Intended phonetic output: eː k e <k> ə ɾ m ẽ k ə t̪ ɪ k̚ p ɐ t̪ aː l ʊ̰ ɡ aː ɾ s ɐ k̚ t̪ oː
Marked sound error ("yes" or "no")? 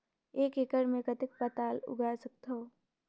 no